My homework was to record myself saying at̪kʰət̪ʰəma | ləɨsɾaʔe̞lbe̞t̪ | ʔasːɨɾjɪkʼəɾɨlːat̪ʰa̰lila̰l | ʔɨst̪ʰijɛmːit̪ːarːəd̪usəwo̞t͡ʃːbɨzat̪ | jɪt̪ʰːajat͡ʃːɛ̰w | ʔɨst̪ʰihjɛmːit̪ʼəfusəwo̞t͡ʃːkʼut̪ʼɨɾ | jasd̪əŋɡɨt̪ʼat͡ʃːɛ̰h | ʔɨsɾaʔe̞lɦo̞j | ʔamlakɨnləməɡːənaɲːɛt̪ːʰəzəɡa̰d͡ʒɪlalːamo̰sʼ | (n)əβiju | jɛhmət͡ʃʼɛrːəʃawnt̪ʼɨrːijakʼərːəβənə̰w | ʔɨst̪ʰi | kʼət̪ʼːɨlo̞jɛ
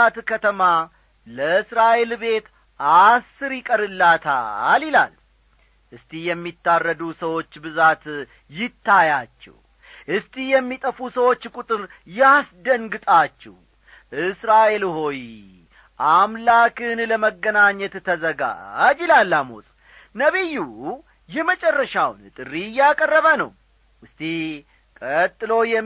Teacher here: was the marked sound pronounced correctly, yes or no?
yes